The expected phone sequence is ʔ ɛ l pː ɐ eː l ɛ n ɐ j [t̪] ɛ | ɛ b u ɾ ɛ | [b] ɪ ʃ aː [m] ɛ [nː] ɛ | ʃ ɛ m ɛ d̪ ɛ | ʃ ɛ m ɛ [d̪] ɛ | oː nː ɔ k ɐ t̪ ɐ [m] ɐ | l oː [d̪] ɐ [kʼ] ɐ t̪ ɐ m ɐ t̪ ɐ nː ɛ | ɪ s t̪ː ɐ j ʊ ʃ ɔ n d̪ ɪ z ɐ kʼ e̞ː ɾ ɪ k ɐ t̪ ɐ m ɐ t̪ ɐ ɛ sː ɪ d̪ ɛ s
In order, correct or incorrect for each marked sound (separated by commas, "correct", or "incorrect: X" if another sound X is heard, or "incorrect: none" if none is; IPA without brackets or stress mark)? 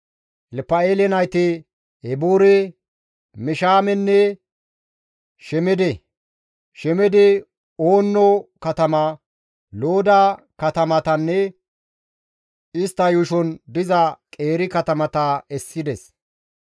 correct, incorrect: m, correct, correct, correct, correct, correct, incorrect: k